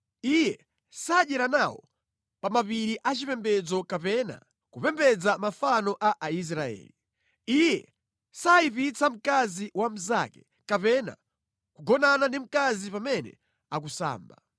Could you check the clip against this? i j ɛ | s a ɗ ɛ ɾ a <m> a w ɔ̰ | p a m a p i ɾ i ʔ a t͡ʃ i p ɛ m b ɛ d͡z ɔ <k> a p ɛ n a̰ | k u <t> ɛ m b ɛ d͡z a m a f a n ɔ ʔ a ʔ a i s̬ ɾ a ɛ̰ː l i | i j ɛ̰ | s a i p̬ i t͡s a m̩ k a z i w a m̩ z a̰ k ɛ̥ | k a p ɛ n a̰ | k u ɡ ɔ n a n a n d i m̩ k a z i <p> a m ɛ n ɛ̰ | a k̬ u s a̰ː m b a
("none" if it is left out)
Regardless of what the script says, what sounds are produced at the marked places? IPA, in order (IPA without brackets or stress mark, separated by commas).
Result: n, k, p, p